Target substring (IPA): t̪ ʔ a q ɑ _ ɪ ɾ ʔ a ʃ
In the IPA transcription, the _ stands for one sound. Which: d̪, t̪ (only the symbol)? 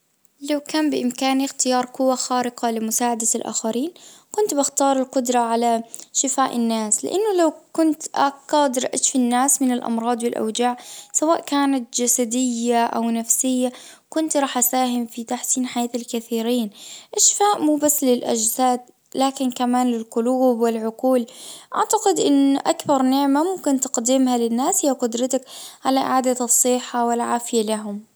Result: d̪